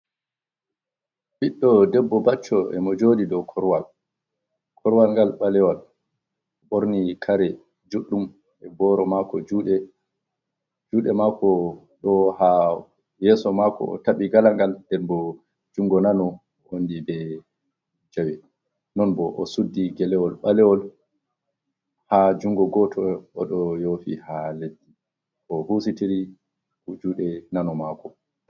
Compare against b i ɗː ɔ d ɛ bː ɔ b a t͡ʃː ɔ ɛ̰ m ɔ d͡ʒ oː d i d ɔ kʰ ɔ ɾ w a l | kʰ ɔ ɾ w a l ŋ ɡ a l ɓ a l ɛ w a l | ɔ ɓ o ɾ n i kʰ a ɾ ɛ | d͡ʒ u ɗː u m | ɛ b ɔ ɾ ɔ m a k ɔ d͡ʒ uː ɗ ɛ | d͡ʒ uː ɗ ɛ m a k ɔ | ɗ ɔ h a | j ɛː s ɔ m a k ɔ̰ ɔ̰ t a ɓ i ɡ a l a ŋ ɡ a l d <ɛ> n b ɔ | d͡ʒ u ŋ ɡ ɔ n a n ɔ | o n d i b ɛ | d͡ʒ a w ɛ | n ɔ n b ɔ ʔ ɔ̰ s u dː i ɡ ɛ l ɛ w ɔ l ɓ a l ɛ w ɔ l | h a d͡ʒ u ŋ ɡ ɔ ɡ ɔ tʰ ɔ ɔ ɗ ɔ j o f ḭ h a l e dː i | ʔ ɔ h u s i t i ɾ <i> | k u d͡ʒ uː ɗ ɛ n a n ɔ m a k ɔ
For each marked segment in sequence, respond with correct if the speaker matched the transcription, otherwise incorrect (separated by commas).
correct, correct